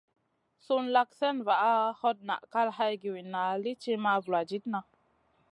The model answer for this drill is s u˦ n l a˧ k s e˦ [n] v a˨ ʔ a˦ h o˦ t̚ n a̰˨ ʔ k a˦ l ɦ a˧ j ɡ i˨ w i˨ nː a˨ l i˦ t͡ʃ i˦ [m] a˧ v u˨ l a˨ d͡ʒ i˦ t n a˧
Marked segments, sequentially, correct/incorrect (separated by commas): correct, correct